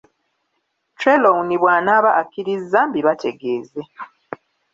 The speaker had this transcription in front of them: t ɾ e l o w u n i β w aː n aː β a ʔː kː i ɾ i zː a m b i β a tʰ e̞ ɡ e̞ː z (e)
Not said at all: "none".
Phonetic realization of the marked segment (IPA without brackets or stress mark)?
e